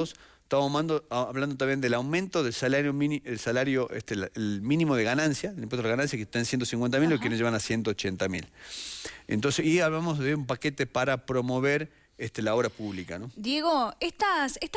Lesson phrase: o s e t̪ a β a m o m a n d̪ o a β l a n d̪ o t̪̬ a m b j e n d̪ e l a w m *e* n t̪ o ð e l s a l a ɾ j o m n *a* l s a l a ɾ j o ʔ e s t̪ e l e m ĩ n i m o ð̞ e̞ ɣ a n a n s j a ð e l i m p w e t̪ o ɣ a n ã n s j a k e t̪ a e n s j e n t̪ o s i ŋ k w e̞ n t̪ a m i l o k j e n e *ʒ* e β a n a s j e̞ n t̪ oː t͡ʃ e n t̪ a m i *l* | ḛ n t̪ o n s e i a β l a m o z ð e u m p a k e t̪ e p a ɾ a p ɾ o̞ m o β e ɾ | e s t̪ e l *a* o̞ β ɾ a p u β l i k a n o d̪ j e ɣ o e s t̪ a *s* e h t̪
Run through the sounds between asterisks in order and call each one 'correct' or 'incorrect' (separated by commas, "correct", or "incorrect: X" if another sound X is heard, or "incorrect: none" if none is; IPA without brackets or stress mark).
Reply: incorrect: ẽ, incorrect: e, correct, correct, correct, correct